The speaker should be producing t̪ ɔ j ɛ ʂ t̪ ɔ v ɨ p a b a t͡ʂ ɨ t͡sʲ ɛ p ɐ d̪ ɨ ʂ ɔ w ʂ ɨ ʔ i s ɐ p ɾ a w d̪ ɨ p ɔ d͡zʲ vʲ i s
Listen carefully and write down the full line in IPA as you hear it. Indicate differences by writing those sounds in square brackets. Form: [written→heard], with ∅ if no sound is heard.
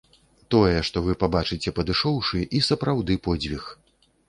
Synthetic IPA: t̪ ɔ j ɛ ʂ t̪ ɔ v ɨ p a b a t͡ʂ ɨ t͡sʲ ɛ p ɐ d̪ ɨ ʂ ɔ w ʂ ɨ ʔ i s ɐ p ɾ a w d̪ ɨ p ɔ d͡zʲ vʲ i [s→x]